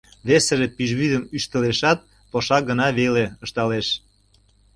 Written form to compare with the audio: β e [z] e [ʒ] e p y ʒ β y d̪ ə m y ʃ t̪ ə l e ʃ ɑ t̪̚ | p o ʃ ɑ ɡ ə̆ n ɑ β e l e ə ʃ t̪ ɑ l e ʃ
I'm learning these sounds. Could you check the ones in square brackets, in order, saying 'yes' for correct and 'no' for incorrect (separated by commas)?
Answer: no, yes